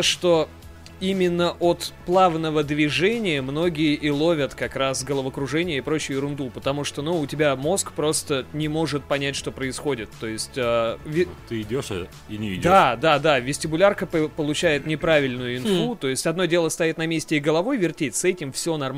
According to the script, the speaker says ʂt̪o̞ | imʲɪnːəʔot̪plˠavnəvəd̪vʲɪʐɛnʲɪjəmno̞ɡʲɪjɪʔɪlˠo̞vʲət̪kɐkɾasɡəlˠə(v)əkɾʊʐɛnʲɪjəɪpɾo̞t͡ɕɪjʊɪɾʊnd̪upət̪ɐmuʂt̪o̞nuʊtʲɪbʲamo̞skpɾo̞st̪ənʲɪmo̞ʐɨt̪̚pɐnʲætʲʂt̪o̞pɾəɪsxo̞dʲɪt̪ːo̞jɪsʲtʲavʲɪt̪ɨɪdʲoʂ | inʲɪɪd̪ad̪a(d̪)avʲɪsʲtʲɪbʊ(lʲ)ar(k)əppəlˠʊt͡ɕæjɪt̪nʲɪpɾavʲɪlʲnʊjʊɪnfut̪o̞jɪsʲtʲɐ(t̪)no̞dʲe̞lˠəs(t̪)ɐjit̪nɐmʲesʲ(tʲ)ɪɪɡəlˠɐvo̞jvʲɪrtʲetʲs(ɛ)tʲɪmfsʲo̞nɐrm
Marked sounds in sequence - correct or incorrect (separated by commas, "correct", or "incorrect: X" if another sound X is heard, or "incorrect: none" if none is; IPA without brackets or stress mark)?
correct, correct, correct, correct, incorrect: d̪, correct, correct, correct